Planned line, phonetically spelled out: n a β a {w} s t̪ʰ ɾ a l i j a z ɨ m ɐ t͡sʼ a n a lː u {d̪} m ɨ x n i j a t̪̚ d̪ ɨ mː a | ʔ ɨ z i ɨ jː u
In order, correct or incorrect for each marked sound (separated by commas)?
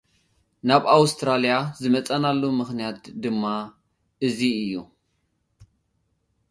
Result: correct, incorrect